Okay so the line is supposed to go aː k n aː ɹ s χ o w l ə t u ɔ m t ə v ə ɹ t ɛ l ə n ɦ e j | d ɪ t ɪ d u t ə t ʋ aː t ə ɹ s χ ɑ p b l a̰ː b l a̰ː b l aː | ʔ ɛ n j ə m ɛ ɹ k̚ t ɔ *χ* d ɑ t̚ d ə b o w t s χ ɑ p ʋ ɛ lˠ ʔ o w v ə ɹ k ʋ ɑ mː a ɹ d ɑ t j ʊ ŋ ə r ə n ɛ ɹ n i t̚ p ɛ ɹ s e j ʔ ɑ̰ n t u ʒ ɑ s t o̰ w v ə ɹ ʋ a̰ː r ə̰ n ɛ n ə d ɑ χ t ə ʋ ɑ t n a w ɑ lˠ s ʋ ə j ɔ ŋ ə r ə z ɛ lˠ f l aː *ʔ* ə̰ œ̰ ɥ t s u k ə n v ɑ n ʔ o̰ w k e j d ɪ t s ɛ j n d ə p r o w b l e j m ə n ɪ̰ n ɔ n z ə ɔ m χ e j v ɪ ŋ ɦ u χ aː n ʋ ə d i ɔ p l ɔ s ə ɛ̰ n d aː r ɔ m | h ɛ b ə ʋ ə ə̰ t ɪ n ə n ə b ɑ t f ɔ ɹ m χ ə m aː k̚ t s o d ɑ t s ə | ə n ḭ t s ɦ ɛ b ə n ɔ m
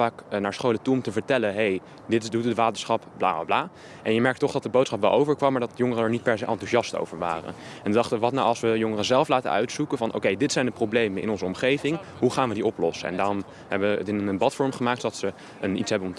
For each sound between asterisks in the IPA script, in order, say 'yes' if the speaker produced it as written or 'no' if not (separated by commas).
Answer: yes, no